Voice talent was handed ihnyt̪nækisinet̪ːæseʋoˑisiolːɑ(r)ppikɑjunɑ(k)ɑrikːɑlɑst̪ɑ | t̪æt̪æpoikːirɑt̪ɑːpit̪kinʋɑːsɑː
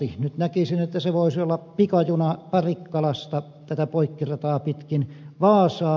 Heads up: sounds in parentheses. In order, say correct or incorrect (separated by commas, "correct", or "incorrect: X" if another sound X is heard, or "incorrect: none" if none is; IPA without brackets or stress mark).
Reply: incorrect: none, incorrect: p